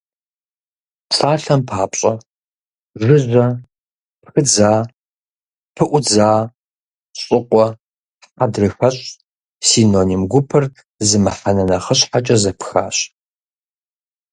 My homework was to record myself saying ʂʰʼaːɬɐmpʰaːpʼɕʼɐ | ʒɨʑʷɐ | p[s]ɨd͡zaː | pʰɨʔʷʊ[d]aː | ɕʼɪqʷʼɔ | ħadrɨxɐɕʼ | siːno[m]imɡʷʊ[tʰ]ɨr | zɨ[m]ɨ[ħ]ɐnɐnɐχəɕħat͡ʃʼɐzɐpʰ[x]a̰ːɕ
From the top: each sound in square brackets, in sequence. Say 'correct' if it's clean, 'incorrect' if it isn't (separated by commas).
incorrect, incorrect, incorrect, incorrect, correct, correct, correct